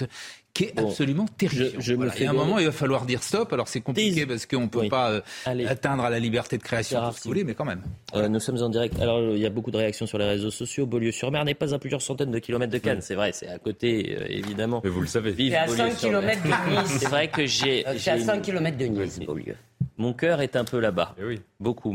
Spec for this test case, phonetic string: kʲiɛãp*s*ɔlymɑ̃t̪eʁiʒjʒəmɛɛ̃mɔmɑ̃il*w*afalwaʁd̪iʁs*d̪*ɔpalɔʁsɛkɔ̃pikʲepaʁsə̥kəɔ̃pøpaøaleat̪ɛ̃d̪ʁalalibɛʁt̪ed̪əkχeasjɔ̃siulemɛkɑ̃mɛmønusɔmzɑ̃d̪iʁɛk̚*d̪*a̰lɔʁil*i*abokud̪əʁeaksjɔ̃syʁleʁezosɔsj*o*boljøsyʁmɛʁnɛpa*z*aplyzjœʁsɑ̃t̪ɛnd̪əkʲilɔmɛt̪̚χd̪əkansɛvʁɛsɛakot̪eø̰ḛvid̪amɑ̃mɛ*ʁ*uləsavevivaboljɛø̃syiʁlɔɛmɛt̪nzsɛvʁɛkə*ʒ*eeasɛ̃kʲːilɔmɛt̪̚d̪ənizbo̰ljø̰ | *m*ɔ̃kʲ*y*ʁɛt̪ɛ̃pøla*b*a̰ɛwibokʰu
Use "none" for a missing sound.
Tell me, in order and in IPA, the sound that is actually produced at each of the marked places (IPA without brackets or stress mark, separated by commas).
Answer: s, v, t̪, t̪, j, o, z, v, ʒ, m, œ, b